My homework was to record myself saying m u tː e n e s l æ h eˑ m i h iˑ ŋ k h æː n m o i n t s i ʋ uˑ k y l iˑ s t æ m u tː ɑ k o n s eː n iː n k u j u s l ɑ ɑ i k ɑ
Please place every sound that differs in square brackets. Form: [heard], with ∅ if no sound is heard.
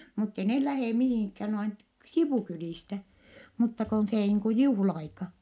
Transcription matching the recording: m u tː e n e [h] l æ h eˑ m i h iˑ ŋ k h æː n [n] o i n t s i ʋ uˑ k y l iˑ s t æ m u tː ɑ k o n s eː n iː [ŋ] k u j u [h] l ɑ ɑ i k ɑ